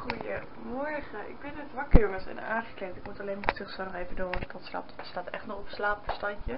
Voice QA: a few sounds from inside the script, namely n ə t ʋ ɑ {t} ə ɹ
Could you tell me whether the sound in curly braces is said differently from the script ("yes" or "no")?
yes